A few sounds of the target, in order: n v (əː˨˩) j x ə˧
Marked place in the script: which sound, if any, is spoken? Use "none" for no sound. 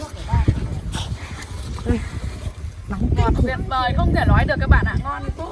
əː˨˩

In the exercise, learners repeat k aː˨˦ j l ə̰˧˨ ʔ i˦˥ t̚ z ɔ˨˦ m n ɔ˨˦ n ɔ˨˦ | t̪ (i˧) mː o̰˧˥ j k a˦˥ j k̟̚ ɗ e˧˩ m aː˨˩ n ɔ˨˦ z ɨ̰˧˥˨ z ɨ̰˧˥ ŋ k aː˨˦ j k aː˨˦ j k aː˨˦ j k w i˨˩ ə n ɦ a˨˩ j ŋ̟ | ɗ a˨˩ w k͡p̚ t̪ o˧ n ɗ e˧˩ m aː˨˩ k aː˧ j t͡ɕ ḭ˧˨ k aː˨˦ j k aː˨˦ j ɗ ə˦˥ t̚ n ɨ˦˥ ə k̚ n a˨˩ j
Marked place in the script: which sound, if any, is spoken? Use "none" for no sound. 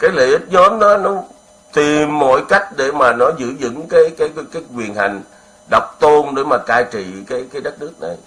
i˨˩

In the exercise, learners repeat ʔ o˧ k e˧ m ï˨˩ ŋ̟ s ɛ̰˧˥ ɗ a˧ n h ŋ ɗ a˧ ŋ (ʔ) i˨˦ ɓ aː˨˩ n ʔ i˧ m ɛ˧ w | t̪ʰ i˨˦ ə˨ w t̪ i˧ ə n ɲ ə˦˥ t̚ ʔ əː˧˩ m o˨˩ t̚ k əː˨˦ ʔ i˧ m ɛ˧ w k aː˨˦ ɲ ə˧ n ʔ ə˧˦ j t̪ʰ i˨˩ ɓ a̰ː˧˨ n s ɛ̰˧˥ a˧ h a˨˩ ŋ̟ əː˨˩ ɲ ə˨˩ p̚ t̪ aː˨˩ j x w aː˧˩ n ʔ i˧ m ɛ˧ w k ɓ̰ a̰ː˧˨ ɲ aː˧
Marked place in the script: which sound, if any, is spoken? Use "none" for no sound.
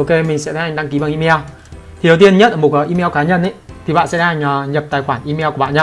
k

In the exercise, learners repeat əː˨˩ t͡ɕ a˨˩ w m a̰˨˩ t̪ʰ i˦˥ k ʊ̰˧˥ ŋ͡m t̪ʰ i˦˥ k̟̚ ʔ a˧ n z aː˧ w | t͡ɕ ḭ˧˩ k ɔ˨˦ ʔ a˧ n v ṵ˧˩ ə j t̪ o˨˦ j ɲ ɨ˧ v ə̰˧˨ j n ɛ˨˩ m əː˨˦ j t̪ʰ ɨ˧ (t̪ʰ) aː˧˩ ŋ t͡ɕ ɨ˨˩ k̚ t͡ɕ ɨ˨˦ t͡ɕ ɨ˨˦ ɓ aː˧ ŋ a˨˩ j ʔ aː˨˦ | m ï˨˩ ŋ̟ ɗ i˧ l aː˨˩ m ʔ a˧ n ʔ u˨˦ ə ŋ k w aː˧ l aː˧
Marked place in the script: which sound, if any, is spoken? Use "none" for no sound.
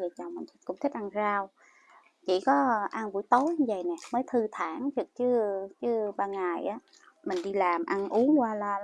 t̪ʰ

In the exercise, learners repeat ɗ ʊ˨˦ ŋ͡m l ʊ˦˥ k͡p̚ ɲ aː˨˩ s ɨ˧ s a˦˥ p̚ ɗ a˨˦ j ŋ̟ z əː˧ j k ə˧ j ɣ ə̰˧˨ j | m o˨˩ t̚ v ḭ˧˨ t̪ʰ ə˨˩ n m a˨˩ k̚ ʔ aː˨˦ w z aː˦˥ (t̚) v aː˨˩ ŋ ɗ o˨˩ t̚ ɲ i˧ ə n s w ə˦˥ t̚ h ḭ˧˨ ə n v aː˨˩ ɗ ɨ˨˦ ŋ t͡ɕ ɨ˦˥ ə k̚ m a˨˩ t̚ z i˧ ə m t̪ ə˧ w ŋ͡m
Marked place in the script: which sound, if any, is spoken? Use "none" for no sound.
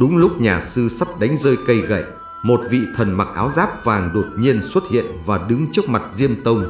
p̚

